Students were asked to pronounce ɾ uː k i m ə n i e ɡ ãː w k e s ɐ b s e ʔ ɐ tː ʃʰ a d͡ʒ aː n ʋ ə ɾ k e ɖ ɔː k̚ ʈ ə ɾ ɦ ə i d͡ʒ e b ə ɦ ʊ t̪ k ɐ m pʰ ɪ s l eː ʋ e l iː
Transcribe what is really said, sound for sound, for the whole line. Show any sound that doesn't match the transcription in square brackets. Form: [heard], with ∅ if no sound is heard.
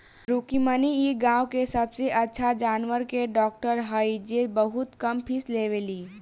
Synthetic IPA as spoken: ɾ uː k i m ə n i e ɡ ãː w k e s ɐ b s e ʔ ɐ tː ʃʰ a d͡ʒ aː n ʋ ə ɾ k e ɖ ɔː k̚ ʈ ə ɾ ɦ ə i d͡ʒ e b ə ɦ ʊ t̪ k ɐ m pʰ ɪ s l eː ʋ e l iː